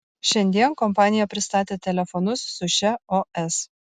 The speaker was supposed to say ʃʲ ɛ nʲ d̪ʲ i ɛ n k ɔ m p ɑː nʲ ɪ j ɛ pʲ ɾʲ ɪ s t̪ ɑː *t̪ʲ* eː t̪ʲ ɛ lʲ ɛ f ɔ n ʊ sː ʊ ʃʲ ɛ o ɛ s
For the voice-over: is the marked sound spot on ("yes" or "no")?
yes